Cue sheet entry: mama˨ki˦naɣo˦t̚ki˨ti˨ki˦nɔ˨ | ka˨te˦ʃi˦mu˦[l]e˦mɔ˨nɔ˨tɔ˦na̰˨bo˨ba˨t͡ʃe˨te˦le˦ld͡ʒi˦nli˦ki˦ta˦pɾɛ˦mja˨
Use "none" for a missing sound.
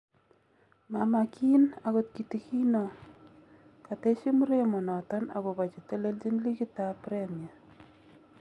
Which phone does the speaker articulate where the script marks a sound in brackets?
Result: ɾ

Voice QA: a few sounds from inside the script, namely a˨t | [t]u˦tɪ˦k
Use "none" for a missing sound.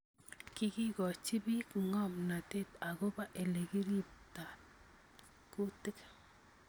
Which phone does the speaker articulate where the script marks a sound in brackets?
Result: k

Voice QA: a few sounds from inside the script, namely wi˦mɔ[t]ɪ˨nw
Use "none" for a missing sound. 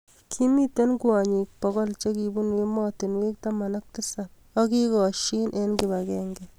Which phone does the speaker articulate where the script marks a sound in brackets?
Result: t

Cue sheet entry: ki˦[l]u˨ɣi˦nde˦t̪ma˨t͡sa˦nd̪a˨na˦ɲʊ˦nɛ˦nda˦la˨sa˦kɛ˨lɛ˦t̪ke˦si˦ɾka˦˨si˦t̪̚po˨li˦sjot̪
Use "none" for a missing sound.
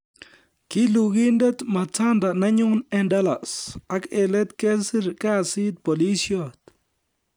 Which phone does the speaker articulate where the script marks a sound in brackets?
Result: l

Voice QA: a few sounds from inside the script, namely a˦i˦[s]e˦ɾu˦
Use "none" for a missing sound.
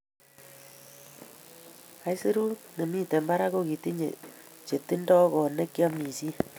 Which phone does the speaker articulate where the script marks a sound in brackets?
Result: s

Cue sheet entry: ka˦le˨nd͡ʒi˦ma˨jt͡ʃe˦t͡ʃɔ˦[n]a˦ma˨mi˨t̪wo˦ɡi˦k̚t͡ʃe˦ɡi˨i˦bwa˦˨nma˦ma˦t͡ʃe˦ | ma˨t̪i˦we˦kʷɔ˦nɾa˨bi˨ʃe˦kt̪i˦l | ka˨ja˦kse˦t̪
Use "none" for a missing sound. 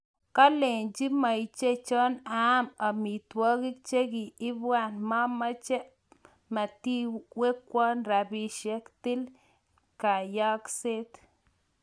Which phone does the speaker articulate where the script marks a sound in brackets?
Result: n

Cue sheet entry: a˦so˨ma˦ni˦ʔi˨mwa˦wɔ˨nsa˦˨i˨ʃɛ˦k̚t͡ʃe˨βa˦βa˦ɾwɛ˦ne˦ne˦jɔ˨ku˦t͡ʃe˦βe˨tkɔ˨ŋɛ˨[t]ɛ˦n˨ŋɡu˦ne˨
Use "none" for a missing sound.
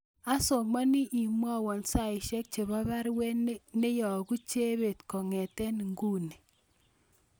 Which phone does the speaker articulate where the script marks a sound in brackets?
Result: t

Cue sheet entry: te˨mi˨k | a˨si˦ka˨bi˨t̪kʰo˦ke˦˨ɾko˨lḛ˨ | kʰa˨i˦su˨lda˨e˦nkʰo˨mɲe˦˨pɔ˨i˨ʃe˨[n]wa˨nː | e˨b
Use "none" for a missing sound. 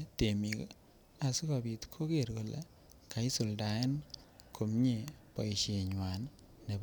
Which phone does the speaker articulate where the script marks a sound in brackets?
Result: ɲ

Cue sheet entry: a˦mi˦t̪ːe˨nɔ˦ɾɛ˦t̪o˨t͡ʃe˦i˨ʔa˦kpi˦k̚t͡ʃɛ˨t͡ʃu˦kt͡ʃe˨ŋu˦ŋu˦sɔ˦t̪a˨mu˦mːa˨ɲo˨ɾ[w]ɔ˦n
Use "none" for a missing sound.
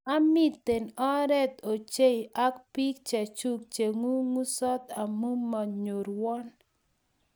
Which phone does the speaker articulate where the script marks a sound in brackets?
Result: w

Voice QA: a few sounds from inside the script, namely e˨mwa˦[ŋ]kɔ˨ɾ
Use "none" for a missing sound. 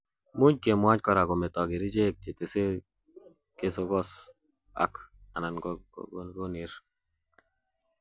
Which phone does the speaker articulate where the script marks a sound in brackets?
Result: ɲ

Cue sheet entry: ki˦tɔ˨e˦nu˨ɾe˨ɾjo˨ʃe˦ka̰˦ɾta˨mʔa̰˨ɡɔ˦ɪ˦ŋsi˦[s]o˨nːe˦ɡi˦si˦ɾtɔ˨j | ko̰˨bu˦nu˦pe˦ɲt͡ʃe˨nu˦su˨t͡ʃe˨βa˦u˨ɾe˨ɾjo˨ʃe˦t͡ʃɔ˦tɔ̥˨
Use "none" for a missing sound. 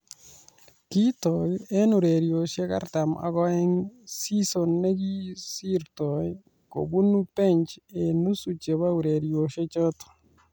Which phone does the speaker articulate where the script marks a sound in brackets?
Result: s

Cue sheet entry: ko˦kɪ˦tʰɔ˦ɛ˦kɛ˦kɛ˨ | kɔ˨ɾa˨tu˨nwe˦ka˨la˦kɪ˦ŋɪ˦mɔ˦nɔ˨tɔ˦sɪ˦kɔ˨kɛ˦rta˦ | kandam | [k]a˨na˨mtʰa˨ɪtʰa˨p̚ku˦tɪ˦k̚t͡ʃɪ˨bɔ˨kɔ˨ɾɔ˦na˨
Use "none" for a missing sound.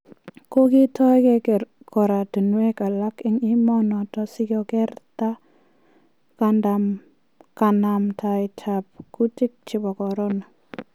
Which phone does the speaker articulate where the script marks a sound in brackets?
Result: k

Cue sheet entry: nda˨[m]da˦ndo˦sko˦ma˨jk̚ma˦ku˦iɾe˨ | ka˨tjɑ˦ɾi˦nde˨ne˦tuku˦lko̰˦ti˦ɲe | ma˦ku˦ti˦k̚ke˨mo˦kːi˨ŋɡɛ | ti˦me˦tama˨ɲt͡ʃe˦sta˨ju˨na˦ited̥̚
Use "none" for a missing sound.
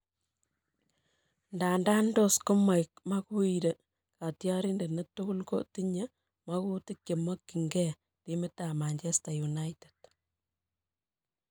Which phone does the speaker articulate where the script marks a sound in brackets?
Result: n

